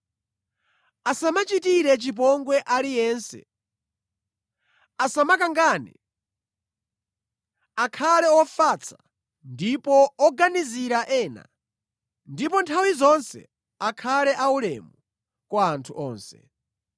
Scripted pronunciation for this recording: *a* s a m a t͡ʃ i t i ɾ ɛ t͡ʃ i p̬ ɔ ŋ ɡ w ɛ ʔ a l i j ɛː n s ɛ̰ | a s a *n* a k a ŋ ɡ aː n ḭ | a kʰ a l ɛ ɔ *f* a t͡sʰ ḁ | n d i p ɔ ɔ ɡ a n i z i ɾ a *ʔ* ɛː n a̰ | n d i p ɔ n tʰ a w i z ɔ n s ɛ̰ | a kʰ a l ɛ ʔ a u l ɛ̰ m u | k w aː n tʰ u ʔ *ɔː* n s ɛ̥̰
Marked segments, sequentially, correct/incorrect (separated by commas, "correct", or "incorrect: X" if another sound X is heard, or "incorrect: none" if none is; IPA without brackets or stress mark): correct, incorrect: m, correct, correct, correct